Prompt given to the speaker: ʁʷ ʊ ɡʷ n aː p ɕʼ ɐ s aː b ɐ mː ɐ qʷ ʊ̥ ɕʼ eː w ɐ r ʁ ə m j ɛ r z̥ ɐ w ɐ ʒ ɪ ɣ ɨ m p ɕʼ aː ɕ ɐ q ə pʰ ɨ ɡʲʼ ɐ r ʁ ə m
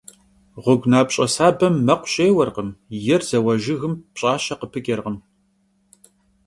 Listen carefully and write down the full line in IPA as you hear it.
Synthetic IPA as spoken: ʁʷ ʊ ɡʷ n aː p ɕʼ ɐ s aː b ɐ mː ɐ qʷ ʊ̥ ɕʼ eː w ɐ r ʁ ə m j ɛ r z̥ ɐ w ɐ ʒ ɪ ɣ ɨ m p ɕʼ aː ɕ ɐ q ə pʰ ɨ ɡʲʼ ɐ r ʁ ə m